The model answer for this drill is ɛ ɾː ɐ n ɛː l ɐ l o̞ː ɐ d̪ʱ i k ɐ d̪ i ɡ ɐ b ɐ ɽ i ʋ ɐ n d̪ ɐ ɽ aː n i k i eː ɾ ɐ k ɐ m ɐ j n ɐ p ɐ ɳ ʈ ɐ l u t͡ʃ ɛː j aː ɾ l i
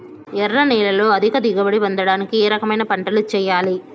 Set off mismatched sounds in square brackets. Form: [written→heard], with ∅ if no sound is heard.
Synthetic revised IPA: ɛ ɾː ɐ n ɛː l ɐ l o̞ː ɐ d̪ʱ i k ɐ d̪ i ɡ ɐ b ɐ ɽ i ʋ ɐ n d̪ ɐ ɽ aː n i k i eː ɾ ɐ k ɐ m ɐ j n ɐ p ɐ ɳ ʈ ɐ l u t͡ʃ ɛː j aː [ɾ→∅] l i